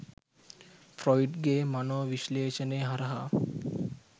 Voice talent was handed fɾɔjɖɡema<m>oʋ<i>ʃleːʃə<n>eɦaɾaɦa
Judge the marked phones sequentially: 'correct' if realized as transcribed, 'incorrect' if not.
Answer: incorrect, correct, correct

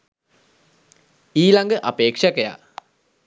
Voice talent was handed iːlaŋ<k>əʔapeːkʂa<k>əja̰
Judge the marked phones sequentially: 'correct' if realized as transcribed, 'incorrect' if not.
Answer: incorrect, correct

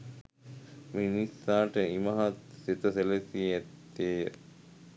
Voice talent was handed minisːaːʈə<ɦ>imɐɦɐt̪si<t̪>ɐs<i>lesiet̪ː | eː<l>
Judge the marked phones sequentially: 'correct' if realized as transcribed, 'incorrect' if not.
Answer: incorrect, correct, incorrect, incorrect

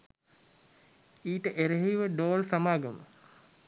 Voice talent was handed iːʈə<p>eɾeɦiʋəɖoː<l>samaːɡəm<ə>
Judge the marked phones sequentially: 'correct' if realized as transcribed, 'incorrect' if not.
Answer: incorrect, correct, correct

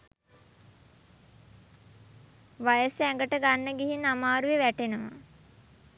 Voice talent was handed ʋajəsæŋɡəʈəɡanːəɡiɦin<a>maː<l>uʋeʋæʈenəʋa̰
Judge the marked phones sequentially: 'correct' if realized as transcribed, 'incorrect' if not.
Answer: correct, incorrect

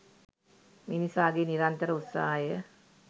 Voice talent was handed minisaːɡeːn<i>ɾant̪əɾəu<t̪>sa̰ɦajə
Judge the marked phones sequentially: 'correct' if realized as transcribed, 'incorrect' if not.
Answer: correct, correct

